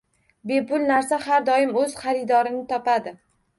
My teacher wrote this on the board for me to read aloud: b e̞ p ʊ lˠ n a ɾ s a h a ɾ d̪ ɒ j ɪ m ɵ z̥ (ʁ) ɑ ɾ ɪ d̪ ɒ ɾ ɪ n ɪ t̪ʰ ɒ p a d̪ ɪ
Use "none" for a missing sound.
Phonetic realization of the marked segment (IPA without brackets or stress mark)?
χ